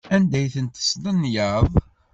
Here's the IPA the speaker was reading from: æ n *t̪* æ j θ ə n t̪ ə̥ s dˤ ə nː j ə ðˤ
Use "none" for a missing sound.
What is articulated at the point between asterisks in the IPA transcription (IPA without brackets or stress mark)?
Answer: d̪